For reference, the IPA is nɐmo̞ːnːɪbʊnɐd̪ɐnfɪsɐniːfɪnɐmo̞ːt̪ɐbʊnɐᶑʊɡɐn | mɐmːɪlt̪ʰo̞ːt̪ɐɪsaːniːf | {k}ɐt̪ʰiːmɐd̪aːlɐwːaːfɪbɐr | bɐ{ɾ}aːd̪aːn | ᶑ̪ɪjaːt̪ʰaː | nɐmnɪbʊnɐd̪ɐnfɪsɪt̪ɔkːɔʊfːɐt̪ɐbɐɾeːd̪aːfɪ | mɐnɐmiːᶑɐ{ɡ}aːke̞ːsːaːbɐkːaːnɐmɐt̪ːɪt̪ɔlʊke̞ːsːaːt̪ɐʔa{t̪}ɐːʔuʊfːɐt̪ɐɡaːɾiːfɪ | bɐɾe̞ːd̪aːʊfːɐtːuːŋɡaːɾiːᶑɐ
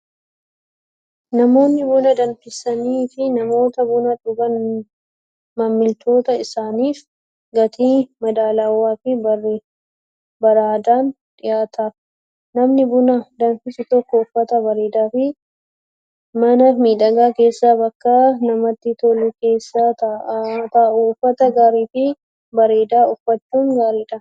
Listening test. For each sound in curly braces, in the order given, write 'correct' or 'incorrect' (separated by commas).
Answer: incorrect, correct, correct, correct